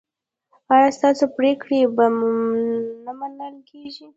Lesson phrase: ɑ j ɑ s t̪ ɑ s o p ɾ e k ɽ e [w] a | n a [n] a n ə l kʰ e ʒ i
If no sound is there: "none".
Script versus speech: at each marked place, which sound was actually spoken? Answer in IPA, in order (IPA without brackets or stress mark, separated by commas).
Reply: b, m